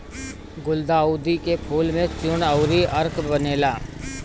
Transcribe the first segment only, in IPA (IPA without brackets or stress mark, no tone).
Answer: ɡ